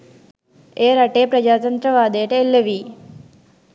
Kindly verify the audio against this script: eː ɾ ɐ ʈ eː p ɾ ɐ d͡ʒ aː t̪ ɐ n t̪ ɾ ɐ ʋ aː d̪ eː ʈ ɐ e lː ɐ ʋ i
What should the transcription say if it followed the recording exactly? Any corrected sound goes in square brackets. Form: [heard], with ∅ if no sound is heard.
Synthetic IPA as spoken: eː ɾ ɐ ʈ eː p ɾ ɐ d͡ʒ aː t̪ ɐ n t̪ ɾ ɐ ʋ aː d̪ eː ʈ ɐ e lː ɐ ʋ i